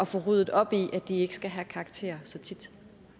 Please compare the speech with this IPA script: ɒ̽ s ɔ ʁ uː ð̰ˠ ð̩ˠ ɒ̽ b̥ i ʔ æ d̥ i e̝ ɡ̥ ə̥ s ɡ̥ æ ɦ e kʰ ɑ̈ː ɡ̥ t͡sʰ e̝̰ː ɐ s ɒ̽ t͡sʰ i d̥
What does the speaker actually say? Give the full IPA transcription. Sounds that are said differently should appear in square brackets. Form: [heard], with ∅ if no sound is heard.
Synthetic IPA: ɒ̽ [f] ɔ ʁ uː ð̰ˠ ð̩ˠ ɒ̽ b̥ i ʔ æ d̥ i e̝ ɡ̥ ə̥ s ɡ̥ æ ɦ [æ] kʰ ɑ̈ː ɡ̥ t͡sʰ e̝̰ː ɐ s ɒ̽ t͡sʰ i d̥